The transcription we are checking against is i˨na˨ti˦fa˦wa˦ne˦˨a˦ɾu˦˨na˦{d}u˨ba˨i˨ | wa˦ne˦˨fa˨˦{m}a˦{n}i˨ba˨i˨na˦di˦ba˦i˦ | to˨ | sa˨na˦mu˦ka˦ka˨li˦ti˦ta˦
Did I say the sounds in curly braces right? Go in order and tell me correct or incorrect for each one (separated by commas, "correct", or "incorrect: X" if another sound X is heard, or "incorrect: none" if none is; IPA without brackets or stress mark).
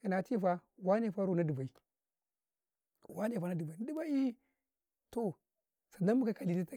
correct, incorrect: n, incorrect: d